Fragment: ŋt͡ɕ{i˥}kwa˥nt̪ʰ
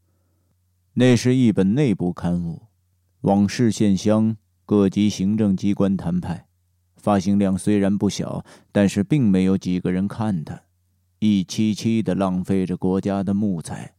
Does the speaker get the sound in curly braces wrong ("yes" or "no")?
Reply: no